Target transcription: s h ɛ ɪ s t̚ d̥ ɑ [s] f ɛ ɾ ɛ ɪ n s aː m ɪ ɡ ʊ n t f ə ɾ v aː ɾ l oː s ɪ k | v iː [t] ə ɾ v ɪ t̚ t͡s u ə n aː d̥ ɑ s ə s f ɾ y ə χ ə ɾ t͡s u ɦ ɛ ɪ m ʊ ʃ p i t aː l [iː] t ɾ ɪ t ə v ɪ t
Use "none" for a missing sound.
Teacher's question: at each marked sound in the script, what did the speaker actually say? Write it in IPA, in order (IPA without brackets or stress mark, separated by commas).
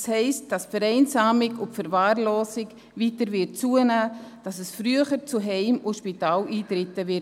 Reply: s, t, iː